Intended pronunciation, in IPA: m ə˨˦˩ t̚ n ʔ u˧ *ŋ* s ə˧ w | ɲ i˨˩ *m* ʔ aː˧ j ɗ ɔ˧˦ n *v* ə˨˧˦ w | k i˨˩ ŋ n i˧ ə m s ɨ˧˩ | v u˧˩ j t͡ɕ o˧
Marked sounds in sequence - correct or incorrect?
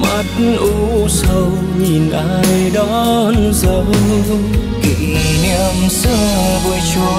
incorrect: none, incorrect: n, incorrect: z

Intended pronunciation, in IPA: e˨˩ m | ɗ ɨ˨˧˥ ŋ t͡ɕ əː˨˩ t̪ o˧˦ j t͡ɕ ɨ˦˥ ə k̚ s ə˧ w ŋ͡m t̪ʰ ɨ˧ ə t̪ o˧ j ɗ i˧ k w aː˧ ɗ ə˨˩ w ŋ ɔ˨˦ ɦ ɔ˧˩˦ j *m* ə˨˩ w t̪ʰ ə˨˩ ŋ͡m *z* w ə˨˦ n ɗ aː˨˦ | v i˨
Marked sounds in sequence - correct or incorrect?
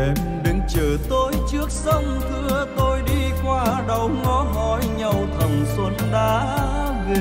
incorrect: ɲ, incorrect: s

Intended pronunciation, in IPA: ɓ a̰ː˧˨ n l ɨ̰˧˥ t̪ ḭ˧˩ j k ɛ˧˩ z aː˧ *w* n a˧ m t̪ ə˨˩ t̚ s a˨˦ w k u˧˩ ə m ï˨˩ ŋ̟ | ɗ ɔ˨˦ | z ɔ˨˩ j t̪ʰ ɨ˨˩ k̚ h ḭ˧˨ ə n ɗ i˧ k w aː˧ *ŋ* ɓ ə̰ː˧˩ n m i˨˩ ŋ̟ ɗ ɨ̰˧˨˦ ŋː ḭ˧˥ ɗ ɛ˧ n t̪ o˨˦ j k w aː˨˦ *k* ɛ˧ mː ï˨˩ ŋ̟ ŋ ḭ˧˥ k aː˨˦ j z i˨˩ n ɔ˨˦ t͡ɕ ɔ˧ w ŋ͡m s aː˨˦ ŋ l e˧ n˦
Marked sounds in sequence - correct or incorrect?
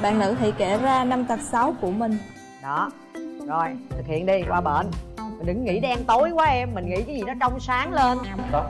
incorrect: none, incorrect: none, incorrect: ʔ

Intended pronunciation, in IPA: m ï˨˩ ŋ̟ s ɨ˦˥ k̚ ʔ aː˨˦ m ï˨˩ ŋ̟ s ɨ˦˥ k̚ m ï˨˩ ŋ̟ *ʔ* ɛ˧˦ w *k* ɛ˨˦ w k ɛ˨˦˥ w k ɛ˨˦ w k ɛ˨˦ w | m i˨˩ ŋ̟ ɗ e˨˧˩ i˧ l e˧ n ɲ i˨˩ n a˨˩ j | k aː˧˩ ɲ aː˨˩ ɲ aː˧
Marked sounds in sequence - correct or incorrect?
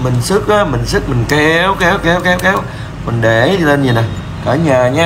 incorrect: k, correct

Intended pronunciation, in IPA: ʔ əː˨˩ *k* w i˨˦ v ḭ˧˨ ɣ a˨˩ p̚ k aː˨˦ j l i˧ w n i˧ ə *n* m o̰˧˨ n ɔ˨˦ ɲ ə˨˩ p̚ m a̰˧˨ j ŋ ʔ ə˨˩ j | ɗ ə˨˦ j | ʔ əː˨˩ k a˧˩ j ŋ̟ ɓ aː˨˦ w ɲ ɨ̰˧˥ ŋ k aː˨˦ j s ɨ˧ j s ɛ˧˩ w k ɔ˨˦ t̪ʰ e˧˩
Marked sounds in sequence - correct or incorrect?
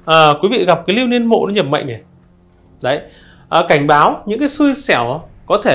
correct, correct

